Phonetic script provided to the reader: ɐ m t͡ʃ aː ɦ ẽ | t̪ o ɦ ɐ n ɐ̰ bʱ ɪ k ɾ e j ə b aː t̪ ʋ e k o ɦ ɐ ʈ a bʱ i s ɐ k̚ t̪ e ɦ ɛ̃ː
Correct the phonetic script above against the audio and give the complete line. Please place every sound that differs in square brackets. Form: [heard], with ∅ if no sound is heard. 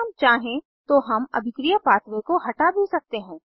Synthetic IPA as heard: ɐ m t͡ʃ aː ɦ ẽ | t̪ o ɦ ɐ [m] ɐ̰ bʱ ɪ k ɾ [i] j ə [p] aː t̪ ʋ e k o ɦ ɐ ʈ a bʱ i s ɐ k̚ t̪ e ɦ ɛ̃ː